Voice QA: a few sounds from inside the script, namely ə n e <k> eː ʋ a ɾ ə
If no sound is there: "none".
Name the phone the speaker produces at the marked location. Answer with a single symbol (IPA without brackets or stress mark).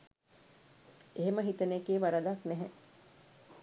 k